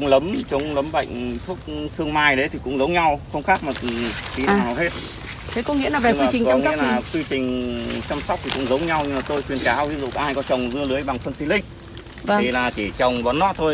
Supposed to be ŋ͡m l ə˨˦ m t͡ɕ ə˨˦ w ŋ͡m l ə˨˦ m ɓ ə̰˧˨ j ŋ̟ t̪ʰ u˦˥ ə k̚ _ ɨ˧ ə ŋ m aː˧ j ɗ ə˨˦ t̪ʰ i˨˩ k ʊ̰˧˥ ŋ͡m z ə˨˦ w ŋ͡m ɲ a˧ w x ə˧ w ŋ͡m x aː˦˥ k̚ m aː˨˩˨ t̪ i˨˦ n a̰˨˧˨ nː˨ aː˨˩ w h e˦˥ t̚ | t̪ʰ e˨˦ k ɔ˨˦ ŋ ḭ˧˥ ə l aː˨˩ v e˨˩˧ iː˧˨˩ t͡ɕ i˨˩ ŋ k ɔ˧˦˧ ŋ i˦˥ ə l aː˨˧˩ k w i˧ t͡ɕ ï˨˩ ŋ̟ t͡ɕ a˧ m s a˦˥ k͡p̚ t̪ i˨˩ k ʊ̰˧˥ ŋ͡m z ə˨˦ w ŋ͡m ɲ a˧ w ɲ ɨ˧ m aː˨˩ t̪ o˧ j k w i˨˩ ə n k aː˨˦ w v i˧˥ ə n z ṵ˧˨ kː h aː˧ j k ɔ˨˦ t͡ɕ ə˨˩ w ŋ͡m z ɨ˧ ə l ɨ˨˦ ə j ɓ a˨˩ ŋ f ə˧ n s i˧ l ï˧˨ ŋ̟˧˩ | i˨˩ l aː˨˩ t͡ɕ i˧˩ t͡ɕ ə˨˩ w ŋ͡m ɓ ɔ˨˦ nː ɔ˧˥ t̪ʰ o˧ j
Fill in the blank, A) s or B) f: A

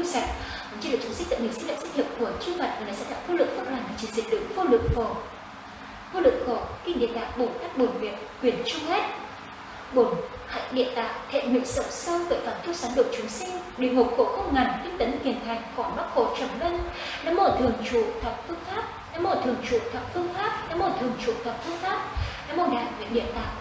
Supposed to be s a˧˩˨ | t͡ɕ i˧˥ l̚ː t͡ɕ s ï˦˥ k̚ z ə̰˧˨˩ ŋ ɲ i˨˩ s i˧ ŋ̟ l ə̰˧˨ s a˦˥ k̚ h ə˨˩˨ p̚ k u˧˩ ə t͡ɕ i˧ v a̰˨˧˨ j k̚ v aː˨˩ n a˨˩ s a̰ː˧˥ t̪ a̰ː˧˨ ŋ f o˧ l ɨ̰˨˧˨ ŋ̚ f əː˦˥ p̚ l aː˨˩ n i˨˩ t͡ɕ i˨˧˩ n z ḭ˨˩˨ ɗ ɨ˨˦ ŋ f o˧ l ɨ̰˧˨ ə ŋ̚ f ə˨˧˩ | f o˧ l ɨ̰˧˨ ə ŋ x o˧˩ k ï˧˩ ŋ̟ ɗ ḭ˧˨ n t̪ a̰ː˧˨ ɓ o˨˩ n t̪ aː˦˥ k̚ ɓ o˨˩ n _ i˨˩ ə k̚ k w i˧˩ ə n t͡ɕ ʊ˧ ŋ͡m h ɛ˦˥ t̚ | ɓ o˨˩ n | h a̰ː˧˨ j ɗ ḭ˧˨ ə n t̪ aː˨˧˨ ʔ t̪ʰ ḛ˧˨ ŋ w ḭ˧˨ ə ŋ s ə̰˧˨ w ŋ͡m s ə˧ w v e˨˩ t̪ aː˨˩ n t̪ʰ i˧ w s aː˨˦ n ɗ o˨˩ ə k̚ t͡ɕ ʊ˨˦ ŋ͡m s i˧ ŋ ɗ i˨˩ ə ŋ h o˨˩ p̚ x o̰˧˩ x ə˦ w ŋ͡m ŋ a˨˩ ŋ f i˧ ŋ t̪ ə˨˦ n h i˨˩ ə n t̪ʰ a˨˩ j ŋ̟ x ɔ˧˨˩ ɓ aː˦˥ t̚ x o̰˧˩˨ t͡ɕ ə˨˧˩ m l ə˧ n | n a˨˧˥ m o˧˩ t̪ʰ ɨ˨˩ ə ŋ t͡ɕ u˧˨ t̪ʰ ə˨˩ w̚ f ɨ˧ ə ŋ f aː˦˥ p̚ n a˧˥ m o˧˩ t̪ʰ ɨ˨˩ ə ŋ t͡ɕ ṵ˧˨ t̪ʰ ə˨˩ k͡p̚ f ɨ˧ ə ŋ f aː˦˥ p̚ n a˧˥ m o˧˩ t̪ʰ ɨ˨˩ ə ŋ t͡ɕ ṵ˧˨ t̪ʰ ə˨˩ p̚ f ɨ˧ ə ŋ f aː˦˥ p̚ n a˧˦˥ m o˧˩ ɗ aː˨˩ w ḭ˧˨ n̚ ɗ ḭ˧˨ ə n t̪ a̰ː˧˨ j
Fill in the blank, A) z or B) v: B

